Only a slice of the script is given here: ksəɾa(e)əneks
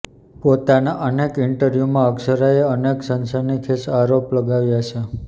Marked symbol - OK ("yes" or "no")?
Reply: yes